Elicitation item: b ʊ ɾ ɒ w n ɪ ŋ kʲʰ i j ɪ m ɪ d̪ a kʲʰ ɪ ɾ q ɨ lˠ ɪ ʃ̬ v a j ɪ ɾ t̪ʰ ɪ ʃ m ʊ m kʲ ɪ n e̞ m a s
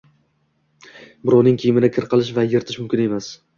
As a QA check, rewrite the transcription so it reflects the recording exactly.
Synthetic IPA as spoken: b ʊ ɾ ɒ w n ɪ ŋ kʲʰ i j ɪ m ɪ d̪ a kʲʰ ɪ ɾ q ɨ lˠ ɪ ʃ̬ v a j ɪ ɾ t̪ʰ ɪ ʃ m ʊ m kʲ ɪ n e̞ m a s